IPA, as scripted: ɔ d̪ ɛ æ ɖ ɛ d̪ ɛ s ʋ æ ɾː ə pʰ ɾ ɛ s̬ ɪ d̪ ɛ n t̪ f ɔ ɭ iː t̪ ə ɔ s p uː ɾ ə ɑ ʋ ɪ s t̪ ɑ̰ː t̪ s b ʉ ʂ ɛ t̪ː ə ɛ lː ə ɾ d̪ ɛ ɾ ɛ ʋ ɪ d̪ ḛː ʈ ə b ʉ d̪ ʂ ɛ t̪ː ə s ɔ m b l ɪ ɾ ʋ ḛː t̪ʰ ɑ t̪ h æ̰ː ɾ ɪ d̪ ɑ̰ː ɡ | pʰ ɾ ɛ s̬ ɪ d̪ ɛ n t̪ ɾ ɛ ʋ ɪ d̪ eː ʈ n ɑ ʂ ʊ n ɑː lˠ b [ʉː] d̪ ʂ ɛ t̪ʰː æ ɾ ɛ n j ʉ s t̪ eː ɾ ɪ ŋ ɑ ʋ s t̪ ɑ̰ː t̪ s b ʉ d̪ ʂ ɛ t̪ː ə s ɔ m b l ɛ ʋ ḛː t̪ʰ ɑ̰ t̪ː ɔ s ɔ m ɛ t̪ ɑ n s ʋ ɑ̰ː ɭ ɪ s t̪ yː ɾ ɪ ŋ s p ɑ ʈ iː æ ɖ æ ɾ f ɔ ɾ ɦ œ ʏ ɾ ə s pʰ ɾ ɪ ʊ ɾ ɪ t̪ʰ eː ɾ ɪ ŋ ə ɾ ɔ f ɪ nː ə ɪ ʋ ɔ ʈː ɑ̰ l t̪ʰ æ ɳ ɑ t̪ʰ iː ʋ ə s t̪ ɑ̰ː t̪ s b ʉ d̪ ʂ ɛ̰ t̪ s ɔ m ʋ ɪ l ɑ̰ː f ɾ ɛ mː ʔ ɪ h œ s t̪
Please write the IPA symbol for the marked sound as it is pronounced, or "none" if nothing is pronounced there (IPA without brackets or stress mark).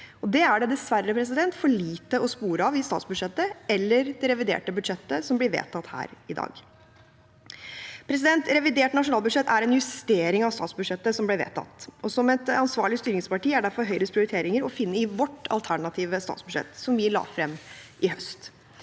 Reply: ʉ